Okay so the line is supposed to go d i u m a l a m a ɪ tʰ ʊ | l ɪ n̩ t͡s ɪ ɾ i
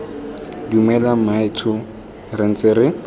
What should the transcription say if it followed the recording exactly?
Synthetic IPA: d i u m ɛ l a m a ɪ tʰ ʊ | r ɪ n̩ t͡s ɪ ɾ ɪ